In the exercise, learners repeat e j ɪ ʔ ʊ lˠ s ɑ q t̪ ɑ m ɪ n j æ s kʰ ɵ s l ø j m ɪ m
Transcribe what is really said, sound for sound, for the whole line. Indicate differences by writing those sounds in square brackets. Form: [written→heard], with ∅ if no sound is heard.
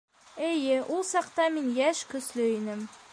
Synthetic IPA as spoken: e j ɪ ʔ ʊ lˠ s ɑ q t̪ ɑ m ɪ n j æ [s→ʃ] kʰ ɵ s l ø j [m→n] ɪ m